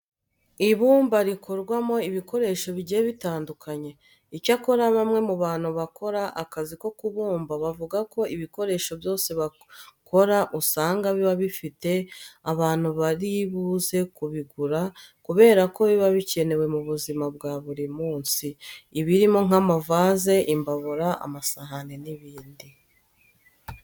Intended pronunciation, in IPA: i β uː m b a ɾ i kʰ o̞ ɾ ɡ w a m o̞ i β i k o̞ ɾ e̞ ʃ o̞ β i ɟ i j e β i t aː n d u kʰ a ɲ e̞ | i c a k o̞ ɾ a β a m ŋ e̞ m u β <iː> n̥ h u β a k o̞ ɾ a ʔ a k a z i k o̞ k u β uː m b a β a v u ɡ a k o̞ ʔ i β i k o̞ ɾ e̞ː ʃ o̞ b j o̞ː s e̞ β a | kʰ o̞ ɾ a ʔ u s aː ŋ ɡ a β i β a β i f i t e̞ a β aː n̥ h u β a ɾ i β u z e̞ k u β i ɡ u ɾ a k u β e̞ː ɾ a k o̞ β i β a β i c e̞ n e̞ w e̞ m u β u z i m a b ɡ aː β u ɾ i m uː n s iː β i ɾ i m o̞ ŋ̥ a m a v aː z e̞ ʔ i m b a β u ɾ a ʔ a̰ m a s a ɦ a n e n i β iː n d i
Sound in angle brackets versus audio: incorrect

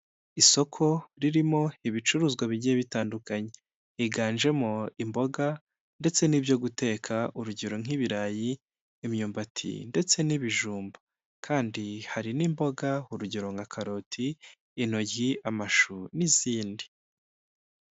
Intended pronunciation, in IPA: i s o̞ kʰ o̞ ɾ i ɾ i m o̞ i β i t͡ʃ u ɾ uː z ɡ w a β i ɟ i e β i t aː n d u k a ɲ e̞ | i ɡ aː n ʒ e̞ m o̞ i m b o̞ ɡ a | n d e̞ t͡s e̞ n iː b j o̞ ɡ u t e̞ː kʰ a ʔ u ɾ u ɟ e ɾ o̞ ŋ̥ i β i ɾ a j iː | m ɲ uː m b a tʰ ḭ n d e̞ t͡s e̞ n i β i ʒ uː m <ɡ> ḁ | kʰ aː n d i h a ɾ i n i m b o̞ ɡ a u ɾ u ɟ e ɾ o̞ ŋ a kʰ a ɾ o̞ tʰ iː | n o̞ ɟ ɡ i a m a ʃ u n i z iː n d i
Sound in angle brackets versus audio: incorrect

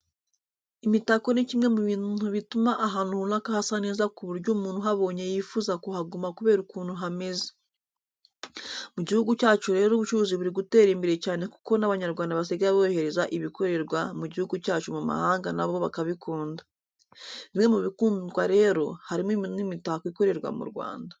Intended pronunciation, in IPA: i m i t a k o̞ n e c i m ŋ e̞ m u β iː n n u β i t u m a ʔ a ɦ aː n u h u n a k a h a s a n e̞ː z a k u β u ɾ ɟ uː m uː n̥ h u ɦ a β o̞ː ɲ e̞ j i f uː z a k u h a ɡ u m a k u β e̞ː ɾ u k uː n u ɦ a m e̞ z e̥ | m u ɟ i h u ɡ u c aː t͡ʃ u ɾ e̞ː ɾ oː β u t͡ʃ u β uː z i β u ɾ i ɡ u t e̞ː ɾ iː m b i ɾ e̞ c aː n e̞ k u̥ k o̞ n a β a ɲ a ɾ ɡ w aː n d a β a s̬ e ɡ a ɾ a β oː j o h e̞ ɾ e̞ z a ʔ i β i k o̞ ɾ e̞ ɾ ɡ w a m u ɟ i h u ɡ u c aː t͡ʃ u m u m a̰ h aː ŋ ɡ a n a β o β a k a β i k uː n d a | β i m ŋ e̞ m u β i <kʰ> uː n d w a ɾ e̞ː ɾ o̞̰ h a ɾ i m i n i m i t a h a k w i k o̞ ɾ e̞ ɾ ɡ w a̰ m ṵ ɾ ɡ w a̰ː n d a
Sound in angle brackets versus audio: incorrect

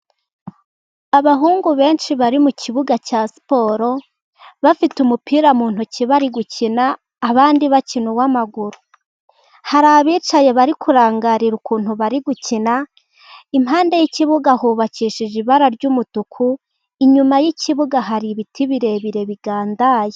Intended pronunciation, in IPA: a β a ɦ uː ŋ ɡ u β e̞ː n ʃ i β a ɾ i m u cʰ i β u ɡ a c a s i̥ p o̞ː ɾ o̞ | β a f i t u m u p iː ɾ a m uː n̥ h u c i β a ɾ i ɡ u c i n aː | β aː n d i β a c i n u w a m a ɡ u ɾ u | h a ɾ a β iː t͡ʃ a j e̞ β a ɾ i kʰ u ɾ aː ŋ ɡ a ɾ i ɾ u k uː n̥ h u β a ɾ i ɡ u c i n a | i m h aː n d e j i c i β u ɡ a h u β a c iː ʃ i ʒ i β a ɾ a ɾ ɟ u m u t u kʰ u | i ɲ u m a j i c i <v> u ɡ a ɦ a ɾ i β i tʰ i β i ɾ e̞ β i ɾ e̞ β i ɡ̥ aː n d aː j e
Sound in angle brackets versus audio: incorrect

